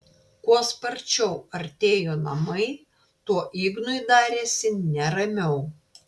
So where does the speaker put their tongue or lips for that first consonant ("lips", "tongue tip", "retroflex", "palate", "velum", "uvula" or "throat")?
velum